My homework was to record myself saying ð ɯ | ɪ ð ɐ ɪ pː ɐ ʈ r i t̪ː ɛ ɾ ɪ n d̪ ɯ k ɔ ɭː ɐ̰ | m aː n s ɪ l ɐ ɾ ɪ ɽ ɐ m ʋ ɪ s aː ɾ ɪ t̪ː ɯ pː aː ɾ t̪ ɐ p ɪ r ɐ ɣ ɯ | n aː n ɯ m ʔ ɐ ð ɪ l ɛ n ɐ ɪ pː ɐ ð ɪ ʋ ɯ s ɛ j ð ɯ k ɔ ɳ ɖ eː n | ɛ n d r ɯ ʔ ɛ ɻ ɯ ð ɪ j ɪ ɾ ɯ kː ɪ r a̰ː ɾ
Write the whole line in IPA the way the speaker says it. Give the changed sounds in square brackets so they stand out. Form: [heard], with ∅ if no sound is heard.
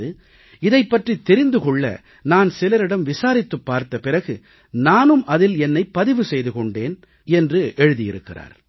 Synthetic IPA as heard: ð ɯ | ɪ ð ɐ ɪ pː ɐ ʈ r i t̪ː ɛ ɾ ɪ n d̪ ɯ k ɔ ɭː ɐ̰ | [n] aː n s ɪ l ɐ ɾ ɪ ɽ ɐ m ʋ ɪ s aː ɾ ɪ t̪ː ɯ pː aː ɾ t̪ ɐ p ɪ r ɐ ɣ ɯ | n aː n ɯ m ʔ ɐ ð ɪ l ɛ [nː] ɐ ɪ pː ɐ ð ɪ ʋ ɯ s ɛ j ð ɯ k ɔ ɳ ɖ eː n | ɛ n d r ɯ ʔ ɛ ɻ ɯ ð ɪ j ɪ ɾ ɯ kː ɪ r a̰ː ɾ